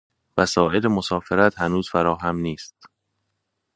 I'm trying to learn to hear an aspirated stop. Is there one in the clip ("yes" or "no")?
no